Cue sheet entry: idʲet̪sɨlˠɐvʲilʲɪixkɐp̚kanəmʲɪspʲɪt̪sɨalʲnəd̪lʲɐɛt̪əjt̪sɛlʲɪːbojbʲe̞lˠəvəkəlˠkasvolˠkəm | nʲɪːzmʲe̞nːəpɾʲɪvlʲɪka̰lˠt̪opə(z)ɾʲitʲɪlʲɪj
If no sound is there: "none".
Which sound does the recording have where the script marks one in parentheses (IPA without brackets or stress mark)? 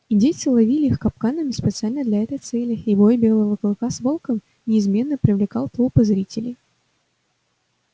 z